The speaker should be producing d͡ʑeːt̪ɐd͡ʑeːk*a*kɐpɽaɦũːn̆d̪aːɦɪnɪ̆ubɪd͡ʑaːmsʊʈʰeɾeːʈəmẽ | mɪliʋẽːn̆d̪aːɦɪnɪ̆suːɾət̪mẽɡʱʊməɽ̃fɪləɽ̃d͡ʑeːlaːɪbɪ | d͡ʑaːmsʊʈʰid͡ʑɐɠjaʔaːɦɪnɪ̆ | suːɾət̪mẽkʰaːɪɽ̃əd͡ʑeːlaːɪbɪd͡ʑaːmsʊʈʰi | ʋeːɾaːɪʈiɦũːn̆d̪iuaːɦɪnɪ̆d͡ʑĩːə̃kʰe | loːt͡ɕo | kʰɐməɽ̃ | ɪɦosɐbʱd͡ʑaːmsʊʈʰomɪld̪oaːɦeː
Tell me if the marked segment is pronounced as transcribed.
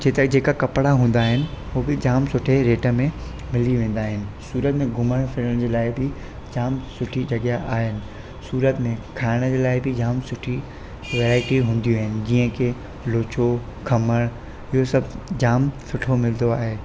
yes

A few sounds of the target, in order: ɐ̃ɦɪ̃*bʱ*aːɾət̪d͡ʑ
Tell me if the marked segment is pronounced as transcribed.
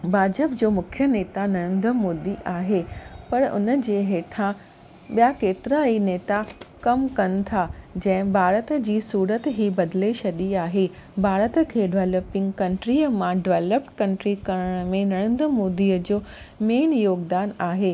yes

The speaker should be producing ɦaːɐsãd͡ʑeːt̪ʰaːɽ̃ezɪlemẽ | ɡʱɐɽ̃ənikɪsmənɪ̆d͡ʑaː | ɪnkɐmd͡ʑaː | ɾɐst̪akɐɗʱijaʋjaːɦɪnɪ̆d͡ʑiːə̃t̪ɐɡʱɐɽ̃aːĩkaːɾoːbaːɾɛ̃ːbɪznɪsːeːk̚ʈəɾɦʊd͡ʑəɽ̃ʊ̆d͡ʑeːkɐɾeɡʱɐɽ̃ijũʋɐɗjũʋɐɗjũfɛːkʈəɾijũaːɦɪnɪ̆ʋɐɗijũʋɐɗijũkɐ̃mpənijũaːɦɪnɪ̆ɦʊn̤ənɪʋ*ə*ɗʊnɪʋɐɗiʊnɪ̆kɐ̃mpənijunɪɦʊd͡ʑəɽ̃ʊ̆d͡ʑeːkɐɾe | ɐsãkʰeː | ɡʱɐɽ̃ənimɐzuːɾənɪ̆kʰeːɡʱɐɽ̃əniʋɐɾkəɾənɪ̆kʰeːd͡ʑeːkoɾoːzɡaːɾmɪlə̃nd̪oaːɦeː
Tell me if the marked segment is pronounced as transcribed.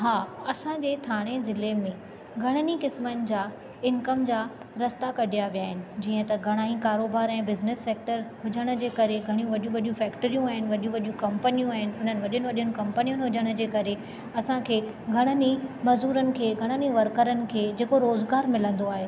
no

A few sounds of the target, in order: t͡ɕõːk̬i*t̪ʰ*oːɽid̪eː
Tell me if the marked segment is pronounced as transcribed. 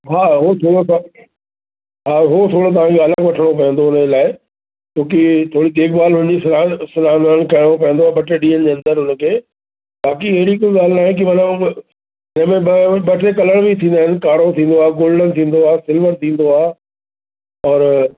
yes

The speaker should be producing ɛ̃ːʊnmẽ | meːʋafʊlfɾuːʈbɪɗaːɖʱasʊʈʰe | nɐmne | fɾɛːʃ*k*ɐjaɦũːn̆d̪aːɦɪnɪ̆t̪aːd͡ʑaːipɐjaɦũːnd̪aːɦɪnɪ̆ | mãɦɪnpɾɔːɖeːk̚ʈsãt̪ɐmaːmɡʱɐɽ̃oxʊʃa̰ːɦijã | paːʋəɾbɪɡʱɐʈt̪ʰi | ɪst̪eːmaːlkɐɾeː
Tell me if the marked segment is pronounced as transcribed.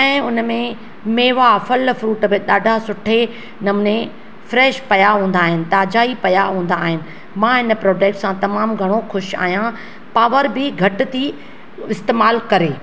no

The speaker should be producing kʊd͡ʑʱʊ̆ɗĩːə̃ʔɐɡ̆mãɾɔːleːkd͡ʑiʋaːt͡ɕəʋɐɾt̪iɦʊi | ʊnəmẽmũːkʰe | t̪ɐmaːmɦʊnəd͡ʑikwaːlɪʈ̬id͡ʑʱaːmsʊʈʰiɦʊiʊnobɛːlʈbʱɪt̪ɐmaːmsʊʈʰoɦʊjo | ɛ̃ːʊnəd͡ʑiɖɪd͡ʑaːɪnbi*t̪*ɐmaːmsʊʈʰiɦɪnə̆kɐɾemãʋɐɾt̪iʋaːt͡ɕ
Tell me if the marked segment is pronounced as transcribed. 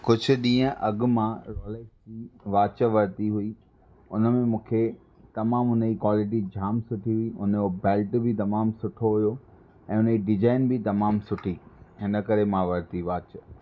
yes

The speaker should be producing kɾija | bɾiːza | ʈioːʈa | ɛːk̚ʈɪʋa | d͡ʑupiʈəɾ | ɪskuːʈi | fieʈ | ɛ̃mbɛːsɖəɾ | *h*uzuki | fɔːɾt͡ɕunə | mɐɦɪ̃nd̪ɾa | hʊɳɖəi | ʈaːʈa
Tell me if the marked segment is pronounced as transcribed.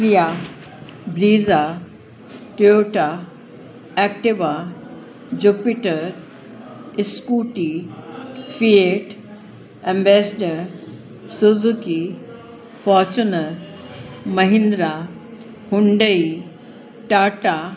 no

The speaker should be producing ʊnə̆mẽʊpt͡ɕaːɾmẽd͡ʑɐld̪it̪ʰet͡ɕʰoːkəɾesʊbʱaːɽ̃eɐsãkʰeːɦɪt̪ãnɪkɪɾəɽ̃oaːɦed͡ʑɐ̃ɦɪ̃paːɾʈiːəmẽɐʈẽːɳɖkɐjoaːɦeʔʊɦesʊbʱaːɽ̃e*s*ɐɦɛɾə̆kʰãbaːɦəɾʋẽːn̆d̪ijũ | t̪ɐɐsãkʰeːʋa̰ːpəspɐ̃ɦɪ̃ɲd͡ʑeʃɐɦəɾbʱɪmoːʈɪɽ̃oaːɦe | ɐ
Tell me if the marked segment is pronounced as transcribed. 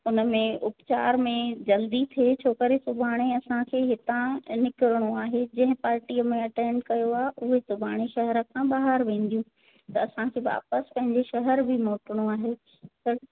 no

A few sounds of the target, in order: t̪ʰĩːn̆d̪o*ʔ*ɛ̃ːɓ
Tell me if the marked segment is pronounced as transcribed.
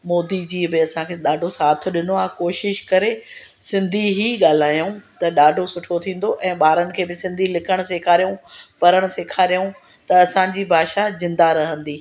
yes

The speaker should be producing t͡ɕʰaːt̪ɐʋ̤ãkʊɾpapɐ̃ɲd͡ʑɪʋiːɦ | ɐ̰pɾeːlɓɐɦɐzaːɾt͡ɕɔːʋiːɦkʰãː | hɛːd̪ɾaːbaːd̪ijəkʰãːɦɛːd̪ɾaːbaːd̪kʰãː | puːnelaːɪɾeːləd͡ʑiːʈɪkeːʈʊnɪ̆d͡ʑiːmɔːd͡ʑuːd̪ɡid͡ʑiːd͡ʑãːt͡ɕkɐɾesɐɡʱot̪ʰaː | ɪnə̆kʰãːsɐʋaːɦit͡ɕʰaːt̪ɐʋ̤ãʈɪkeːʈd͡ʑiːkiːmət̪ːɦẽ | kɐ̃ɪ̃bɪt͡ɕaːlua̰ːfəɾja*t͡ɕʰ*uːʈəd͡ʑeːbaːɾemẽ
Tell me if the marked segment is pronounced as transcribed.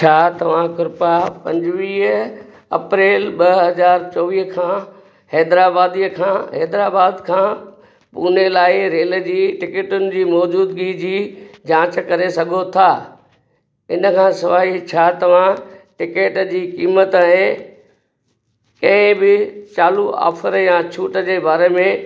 yes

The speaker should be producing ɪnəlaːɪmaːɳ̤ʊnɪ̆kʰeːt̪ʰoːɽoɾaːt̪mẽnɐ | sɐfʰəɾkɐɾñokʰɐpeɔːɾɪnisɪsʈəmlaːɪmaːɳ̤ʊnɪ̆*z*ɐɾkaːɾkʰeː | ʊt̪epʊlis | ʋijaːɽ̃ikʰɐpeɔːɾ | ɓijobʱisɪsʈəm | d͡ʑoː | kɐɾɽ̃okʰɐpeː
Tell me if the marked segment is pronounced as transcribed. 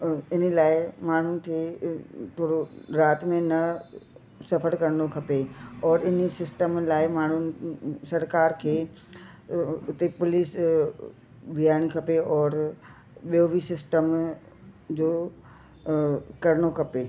no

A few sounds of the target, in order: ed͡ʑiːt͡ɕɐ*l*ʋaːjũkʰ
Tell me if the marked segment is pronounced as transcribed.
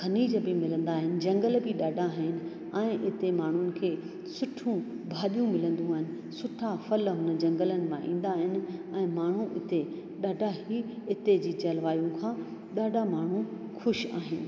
yes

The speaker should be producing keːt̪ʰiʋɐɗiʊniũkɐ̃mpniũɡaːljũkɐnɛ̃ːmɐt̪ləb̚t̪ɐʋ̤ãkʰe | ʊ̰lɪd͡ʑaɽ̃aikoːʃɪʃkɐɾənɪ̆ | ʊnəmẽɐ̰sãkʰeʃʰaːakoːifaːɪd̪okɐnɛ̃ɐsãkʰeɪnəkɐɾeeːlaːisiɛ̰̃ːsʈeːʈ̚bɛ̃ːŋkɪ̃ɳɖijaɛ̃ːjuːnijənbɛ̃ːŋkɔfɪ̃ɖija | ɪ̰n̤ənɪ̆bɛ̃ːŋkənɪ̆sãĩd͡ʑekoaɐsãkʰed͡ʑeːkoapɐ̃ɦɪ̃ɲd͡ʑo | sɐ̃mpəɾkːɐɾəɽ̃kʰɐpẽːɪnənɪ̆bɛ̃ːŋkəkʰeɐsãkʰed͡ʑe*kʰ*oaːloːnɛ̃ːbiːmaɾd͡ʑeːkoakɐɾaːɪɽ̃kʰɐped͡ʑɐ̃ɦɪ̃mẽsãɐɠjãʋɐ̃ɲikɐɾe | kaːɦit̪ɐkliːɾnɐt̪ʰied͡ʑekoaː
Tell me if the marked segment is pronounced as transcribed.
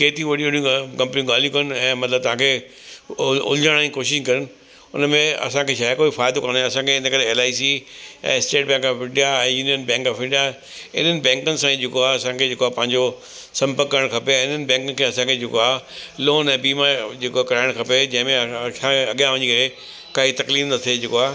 no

